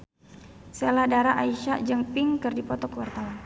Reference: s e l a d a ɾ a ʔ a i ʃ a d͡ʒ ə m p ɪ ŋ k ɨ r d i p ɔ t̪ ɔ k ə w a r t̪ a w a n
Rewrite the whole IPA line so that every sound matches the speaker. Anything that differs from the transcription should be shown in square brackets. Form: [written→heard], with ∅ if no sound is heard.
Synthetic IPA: s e l a d a ɾ a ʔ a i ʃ a d͡ʒ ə [m→ŋ] p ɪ ŋ k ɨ r d i p ɔ t̪ ɔ k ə w a r t̪ a w a n